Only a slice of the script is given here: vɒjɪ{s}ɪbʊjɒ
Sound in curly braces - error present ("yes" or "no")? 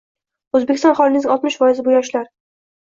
yes